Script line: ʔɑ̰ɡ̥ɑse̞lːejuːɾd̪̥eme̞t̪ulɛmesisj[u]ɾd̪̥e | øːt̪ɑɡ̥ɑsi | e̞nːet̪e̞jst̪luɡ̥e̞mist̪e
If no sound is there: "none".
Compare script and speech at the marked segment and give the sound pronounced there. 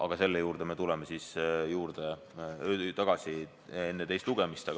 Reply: uː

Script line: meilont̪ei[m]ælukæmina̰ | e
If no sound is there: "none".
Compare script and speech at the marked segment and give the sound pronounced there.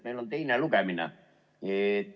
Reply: n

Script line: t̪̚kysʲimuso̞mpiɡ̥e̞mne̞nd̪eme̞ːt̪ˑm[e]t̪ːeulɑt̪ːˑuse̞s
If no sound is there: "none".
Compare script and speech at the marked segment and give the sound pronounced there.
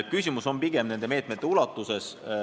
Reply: e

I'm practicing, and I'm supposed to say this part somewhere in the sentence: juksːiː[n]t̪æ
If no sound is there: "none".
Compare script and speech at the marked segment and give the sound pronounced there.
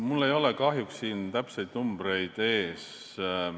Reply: n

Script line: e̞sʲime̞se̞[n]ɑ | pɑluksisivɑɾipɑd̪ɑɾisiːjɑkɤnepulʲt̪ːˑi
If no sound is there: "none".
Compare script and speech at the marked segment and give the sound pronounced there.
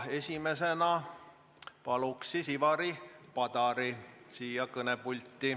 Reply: n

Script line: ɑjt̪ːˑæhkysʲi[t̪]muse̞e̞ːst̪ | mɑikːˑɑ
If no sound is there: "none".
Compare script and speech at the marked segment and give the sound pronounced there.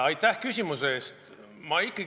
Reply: none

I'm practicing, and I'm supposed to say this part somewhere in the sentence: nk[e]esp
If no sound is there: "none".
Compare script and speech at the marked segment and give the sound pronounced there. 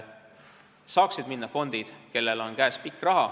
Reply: æ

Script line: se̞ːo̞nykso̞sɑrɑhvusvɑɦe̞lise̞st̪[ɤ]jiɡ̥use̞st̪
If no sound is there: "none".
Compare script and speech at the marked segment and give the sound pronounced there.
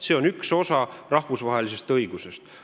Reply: ɤ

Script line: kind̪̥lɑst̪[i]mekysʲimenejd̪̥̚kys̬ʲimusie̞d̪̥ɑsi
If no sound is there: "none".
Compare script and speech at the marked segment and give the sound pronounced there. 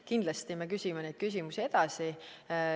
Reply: i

